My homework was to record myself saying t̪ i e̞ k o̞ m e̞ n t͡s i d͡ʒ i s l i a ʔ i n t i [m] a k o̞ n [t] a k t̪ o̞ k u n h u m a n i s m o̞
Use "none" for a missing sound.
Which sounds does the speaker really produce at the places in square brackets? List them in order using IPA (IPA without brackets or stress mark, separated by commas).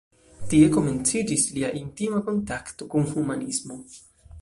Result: m, t